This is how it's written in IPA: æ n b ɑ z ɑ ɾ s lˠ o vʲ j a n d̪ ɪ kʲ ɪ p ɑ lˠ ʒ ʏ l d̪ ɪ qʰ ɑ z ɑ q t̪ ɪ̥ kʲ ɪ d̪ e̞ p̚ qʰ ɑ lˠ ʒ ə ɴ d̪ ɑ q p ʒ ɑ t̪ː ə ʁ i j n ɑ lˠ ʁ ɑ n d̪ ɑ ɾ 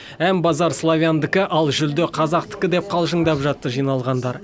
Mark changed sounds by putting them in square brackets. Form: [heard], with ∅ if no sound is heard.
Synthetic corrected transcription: æ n b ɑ z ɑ ɾ s lˠ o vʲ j a n d̪ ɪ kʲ ɪ [ʔ] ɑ lˠ ʒ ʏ l d̪ ɪ qʰ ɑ z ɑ q t̪ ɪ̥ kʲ ɪ d̪ e̞ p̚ qʰ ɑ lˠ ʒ ə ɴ d̪ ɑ [∅] p ʒ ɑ t̪ː ə [ʒ] i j n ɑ lˠ ʁ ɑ n d̪ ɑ ɾ